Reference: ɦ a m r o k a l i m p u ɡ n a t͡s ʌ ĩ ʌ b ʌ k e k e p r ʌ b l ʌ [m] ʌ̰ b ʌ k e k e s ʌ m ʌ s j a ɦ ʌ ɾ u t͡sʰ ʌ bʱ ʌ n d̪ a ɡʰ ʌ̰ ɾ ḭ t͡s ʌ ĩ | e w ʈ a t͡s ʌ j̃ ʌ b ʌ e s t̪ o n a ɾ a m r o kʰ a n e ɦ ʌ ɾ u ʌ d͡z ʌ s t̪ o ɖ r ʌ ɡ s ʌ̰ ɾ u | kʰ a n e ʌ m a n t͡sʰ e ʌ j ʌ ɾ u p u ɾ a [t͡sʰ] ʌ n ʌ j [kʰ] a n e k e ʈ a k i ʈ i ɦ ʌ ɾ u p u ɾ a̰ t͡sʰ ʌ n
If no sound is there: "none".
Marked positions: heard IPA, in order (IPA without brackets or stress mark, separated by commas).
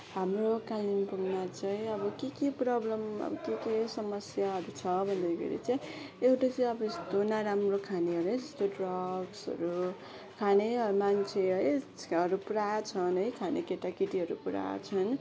m, t͡sʰ, kʰ